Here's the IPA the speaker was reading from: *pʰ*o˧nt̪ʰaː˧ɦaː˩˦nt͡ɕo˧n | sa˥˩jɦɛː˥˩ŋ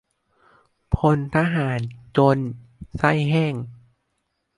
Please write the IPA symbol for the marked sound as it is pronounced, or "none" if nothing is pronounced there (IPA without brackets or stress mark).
pʰ